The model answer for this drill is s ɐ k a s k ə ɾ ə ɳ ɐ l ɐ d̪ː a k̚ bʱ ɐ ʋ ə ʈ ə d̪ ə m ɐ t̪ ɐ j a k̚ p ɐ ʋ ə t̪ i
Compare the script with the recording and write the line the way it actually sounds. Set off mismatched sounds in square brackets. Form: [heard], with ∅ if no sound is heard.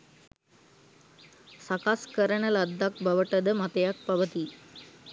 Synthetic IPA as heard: s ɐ k a s k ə ɾ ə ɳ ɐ l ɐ d̪ː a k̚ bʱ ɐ ʋ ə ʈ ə d̪ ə m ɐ t̪ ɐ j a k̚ p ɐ ʋ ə t̪ i